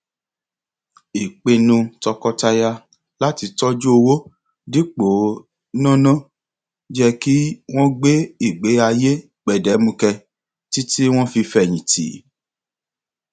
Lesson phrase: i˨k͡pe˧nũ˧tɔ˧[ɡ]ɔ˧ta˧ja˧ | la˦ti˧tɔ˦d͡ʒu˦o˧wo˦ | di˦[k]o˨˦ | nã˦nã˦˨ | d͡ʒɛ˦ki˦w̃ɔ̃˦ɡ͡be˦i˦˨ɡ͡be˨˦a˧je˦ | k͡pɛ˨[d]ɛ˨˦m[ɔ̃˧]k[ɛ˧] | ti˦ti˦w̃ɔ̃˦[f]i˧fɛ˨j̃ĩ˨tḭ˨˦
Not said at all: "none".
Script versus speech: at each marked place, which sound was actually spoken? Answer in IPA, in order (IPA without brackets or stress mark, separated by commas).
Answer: k, k͡p, d, ũ˧, ɛ˧, f